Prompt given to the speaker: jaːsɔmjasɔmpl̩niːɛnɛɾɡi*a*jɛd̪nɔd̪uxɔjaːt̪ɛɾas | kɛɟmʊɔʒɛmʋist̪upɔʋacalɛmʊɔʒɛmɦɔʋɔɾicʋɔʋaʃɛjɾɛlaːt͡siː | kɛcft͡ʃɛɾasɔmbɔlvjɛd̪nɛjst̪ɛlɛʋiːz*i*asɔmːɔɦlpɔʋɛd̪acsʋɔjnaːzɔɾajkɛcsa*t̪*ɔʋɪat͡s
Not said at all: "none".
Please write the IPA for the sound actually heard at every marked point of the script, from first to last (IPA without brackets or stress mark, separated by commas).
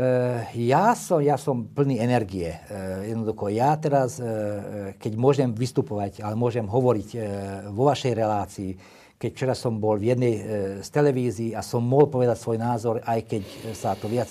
ɛ, iː, t̪